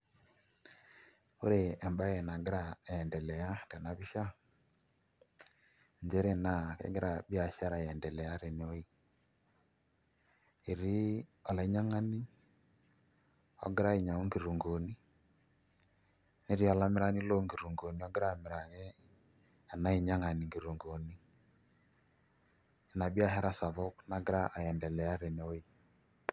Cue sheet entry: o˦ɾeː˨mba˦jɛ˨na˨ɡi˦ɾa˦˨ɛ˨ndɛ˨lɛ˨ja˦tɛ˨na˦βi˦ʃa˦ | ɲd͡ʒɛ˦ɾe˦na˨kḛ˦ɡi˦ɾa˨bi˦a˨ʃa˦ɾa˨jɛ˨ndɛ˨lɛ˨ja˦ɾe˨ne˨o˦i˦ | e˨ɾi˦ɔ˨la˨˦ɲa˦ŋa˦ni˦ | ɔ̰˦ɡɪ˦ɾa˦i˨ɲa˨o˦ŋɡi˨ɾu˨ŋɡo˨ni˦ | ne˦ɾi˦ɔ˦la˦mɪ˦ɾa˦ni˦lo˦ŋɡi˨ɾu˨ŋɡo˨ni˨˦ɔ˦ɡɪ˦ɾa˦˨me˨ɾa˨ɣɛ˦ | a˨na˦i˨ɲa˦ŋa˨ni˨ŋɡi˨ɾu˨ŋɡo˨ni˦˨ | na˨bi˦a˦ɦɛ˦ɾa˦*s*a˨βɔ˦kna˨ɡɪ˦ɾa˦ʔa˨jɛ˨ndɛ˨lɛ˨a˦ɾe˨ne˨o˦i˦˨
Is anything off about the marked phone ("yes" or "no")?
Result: no